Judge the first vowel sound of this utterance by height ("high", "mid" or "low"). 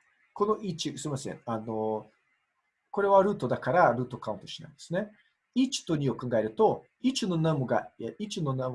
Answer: mid